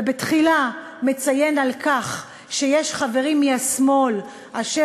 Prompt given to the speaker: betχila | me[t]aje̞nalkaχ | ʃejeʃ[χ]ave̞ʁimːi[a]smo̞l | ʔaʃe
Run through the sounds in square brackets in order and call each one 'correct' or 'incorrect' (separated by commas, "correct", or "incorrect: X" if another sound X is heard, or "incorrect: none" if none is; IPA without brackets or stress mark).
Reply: incorrect: t͡s, correct, correct